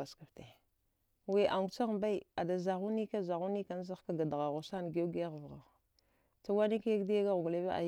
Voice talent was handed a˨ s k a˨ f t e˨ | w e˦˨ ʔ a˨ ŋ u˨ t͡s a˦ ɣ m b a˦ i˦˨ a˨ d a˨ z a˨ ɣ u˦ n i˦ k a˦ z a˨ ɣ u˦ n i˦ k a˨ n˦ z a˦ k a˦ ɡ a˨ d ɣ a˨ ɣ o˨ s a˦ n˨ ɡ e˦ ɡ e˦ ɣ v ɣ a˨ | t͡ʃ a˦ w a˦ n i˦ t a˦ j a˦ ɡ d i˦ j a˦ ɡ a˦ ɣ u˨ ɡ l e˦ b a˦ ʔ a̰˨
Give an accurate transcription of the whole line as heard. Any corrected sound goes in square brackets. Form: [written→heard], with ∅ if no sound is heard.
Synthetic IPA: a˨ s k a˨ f t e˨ | w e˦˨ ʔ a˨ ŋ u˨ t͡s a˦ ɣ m b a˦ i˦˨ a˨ d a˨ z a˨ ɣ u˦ n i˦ k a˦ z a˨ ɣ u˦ n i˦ k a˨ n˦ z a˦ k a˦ ɡ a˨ d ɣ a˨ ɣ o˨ s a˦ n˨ ɡ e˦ ɡ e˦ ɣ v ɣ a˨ | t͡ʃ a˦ w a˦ n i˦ [t→k] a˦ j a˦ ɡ d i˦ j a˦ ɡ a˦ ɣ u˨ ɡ l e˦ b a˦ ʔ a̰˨